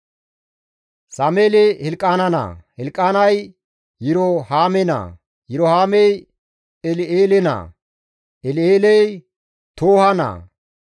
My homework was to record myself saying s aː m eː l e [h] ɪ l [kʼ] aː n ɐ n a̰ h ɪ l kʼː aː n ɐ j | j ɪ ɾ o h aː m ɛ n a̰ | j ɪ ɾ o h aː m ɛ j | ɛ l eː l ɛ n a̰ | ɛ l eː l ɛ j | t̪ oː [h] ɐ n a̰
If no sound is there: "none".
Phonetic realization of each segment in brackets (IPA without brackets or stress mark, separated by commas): h, kʼ, h